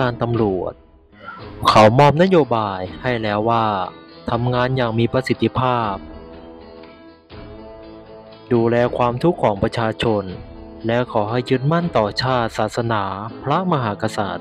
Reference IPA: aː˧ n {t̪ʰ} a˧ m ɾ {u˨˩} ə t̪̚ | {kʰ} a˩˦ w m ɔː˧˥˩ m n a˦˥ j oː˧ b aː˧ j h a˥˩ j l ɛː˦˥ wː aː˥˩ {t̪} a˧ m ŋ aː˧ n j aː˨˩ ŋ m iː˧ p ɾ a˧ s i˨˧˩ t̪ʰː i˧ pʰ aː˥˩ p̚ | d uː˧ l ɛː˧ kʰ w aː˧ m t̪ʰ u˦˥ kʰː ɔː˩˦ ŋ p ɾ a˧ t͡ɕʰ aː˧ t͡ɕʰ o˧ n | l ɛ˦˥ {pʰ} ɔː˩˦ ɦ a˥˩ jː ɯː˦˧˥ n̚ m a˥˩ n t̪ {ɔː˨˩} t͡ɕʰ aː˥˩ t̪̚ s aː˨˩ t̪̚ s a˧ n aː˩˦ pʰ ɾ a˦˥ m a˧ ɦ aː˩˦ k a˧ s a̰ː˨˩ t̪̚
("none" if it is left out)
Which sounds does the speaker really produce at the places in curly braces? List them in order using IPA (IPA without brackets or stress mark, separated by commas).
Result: t̪, u˨˩, kʰ, t̪ʰ, kʰ, ɔː˨˩